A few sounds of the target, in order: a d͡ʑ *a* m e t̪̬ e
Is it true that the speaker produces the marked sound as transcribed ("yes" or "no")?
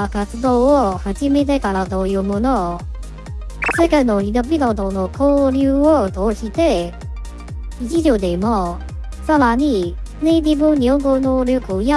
no